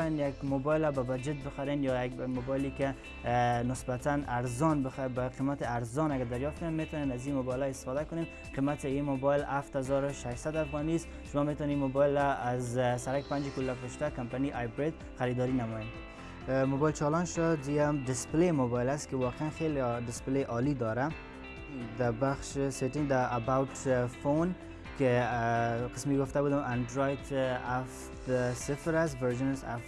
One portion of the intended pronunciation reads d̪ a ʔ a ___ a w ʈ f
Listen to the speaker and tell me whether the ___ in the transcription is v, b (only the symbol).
b